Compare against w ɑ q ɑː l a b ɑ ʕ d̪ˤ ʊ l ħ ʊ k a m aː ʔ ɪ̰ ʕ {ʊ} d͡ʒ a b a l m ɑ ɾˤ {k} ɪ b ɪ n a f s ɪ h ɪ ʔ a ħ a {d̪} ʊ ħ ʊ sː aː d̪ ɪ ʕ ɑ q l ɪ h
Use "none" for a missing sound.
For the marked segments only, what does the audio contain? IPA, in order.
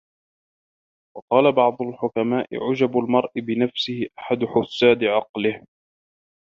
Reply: ʊ, ʔ, d̪

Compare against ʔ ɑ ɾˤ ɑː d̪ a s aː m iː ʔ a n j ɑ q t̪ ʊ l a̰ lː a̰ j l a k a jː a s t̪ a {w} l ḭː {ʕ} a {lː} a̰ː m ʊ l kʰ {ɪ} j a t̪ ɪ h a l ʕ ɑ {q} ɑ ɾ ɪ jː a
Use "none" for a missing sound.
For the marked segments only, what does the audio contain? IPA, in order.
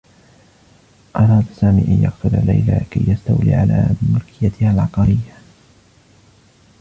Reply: w, ʕ, l, ɪ, q

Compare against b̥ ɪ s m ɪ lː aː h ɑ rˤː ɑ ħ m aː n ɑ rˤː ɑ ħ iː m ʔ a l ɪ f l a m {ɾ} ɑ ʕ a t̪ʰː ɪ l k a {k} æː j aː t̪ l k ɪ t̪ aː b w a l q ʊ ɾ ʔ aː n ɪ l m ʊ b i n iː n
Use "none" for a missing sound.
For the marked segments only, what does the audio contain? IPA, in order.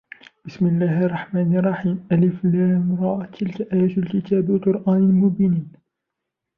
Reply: ɾ, ʔ

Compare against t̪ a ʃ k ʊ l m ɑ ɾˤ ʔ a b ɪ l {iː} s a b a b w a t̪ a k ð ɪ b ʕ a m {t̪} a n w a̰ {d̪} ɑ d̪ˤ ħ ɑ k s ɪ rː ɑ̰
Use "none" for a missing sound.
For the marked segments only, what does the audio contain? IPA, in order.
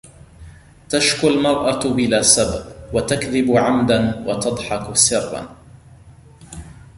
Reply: aː, d̪, t̪

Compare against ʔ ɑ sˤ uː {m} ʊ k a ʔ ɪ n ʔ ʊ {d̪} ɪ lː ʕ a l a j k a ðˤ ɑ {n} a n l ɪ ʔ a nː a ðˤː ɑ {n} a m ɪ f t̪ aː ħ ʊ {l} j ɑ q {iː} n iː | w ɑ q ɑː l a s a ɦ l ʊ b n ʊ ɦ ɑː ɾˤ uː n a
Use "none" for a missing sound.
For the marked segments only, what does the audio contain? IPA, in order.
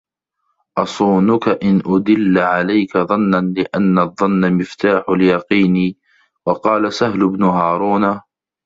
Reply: n, d̪, nː, nː, l, iː

